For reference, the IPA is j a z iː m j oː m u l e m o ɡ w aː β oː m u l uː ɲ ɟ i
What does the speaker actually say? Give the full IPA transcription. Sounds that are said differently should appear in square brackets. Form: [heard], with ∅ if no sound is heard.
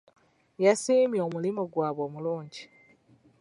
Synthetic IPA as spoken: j a [s] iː m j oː m u l [i] m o ɡ w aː β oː m u l uː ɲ ɟ i